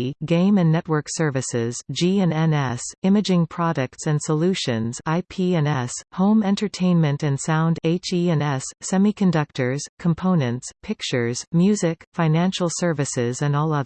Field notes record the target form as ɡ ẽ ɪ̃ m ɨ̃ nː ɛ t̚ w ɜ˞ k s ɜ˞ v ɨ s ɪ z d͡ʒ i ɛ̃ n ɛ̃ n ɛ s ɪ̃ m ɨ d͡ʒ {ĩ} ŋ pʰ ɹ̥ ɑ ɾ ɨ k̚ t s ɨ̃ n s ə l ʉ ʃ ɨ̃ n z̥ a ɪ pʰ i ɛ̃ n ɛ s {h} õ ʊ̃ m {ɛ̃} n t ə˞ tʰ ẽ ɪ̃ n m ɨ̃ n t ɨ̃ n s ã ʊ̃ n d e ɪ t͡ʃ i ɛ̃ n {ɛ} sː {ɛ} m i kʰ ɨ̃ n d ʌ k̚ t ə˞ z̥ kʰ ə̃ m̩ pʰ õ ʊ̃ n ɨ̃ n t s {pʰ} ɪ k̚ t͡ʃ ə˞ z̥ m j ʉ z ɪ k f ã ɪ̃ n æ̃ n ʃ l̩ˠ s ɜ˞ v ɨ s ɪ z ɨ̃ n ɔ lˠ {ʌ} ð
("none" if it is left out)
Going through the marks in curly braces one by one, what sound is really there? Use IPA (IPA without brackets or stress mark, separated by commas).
ɪ̃, h, ɛ̃, ɛ, ɛ, pʰ, ʌ